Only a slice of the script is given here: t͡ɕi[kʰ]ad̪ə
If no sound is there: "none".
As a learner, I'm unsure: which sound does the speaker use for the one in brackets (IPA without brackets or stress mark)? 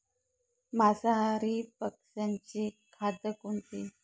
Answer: kʰ